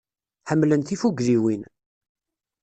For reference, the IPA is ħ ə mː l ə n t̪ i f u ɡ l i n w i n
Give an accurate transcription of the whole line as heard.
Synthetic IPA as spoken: ħ ə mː l ə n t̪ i f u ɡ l i w i n